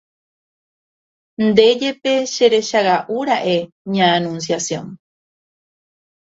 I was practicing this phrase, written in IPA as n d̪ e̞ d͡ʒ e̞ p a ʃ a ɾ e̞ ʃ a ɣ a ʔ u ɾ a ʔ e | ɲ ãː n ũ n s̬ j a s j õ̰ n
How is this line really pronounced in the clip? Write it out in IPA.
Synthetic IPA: n d̪ e̞ d͡ʒ e̞ p e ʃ e ɾ e̞ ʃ a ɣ a ʔ u ɾ a ʔ e | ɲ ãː n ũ n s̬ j a s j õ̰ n